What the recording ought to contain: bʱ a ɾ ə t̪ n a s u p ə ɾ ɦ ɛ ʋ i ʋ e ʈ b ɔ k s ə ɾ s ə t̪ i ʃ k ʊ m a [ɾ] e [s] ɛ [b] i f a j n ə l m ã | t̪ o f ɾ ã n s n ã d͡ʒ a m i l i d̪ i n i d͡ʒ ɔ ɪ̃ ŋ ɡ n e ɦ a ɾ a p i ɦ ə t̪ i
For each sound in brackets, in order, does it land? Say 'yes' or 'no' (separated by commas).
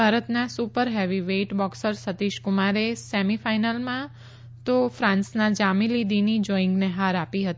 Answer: yes, yes, no